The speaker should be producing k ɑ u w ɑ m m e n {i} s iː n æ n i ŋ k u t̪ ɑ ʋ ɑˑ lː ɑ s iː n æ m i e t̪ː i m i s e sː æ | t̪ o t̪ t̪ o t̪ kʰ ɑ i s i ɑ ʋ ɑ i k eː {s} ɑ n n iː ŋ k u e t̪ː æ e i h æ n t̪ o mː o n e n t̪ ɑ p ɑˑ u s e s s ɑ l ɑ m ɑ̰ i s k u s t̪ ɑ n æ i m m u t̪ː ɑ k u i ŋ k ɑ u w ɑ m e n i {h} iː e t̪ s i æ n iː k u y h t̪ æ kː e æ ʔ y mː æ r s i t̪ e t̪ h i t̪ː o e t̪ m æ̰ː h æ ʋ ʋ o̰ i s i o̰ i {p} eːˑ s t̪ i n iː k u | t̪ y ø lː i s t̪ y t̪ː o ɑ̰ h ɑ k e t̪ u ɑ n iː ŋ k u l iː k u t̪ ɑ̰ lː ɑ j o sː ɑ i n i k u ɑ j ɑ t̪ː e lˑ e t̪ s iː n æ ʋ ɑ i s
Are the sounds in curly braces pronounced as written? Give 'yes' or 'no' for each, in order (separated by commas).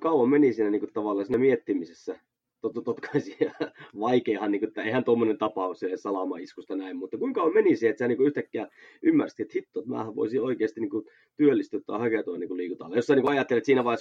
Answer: yes, no, no, no